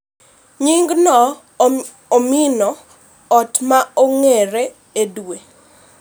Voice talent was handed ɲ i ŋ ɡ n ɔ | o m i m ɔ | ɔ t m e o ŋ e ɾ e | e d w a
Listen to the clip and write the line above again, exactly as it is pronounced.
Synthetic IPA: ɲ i ŋ ɡ n ɔ | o m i n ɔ | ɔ t m a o ŋ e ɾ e | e d w e